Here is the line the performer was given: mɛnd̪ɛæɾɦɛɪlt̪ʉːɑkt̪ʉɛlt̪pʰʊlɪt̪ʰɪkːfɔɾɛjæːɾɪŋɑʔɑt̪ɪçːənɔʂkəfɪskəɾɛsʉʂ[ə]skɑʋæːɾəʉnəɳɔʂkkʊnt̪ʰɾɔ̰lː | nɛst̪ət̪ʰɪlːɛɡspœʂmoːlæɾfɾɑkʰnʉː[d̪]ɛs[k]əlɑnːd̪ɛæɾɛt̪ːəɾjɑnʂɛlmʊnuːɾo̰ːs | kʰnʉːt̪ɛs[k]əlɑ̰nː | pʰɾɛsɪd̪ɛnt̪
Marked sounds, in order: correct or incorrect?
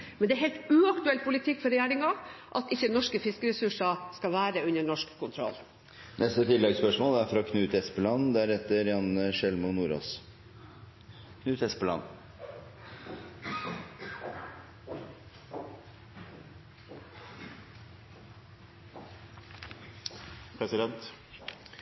incorrect: ɑ, incorrect: t̪, incorrect: p, incorrect: p

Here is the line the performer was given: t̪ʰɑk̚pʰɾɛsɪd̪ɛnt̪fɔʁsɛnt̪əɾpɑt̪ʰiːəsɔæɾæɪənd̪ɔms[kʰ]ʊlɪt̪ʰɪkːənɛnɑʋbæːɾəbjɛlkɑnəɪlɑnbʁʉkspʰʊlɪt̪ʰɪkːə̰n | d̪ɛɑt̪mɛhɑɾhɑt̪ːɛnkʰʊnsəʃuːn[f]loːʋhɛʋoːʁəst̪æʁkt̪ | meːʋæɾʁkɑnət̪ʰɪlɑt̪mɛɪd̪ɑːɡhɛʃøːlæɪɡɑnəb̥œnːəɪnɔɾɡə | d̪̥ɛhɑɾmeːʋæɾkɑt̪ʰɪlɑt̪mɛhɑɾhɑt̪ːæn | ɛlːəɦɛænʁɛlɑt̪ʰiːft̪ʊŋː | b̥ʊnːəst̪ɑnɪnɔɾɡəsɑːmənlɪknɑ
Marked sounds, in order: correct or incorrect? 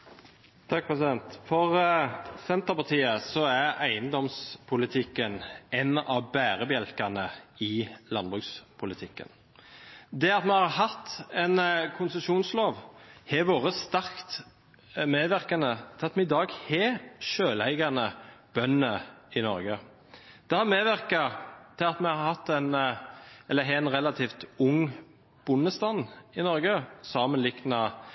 incorrect: pʰ, incorrect: s

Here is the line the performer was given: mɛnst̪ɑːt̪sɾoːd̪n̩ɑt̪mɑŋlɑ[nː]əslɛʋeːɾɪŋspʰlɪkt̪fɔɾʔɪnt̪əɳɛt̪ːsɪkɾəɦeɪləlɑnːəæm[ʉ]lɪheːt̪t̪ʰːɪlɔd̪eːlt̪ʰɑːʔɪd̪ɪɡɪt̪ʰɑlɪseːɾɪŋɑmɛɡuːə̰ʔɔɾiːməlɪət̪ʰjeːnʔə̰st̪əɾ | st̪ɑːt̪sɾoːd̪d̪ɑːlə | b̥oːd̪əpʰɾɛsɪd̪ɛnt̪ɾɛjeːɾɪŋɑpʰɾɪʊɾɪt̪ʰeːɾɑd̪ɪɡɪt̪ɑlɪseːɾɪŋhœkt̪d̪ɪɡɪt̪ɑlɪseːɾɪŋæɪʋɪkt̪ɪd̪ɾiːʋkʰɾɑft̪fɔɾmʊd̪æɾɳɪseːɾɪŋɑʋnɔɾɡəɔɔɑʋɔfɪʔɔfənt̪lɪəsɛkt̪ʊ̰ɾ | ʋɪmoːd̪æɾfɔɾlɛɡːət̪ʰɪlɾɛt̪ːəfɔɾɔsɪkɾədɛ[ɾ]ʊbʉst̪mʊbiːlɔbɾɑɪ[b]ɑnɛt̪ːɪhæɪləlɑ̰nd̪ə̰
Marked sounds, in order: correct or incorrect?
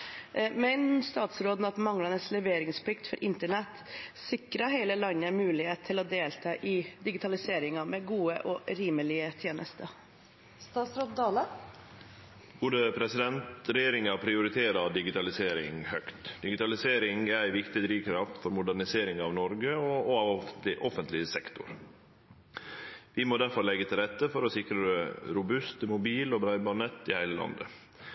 incorrect: n, incorrect: ʉː, correct, correct

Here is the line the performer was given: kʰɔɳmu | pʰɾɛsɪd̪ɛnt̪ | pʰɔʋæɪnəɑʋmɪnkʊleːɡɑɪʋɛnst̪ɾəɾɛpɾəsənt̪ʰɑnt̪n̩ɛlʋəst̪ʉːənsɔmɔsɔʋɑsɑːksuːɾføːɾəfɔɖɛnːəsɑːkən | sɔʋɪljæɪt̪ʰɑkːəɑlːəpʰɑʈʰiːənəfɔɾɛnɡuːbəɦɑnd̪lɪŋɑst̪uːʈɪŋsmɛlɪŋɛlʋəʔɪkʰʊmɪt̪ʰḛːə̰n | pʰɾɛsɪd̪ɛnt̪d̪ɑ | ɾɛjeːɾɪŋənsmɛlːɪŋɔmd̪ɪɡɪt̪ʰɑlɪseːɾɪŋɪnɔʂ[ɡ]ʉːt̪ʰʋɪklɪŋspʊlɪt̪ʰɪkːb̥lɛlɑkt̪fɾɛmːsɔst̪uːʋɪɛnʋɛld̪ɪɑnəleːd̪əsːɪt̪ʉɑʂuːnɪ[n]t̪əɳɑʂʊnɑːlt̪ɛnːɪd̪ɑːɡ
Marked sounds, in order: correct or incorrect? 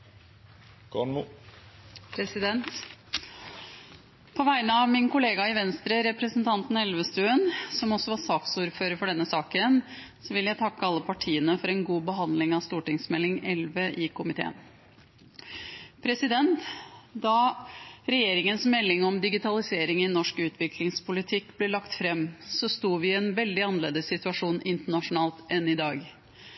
incorrect: k, correct

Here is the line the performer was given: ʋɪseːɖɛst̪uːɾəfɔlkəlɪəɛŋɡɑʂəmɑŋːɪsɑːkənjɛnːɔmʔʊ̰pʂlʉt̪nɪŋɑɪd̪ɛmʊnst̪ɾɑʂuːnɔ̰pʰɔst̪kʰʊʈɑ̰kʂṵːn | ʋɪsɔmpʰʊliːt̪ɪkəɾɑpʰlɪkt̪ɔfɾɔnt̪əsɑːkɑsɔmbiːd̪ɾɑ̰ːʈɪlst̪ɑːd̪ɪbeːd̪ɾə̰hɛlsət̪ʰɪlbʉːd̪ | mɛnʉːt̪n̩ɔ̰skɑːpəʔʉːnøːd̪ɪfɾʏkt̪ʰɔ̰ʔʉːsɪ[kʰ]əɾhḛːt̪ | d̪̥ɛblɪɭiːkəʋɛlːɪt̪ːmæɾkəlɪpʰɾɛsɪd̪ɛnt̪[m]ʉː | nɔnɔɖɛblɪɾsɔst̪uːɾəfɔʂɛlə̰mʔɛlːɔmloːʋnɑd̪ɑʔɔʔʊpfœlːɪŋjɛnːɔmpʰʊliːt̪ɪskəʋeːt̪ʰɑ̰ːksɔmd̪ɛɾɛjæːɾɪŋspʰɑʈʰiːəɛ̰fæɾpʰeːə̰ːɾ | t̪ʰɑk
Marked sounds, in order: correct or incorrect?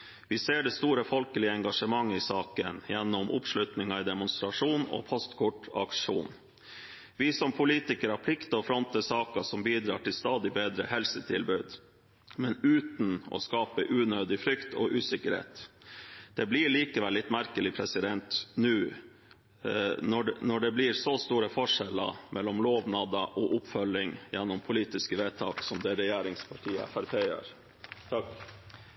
incorrect: k, incorrect: n

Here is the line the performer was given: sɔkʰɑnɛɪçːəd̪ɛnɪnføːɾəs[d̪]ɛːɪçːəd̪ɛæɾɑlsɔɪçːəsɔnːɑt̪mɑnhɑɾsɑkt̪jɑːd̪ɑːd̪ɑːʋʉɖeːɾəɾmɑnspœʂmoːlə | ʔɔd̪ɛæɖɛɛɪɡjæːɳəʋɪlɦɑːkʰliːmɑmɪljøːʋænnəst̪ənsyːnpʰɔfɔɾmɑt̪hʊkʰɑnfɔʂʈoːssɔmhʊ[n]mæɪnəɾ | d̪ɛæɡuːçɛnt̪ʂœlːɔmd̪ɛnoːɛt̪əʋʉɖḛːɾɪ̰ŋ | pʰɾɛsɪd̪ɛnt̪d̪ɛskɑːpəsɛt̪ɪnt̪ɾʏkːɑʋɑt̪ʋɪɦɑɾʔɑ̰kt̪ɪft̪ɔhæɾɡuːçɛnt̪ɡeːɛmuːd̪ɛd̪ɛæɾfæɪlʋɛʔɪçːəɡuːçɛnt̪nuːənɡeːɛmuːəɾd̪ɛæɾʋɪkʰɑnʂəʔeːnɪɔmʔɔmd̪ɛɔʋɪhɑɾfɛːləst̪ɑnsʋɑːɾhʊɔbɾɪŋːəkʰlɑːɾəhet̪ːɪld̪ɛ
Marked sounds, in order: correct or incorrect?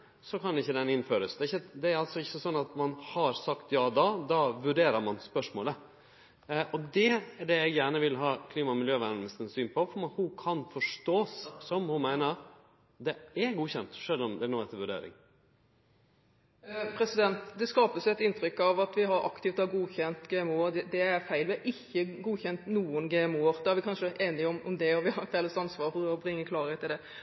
correct, correct

